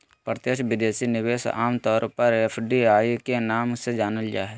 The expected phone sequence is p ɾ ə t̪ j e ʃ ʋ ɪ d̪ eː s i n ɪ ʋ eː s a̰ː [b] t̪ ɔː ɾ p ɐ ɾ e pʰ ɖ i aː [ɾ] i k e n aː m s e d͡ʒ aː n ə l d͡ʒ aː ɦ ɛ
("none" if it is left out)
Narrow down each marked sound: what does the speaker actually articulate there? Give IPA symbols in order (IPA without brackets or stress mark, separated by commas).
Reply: m, none